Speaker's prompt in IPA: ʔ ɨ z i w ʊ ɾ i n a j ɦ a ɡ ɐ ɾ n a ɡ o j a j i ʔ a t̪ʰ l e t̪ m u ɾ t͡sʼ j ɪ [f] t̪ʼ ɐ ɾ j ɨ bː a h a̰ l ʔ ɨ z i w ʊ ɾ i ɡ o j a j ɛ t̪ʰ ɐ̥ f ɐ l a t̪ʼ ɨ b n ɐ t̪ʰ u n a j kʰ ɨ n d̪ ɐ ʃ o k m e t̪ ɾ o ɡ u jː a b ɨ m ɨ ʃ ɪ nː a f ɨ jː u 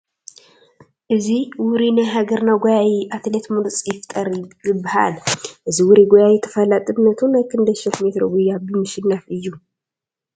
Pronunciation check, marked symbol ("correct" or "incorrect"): correct